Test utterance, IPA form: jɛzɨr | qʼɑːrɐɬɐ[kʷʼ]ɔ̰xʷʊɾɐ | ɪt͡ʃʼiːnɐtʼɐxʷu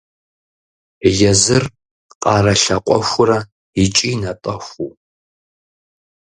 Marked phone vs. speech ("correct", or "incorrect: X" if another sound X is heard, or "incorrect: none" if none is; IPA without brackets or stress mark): incorrect: qʷʼ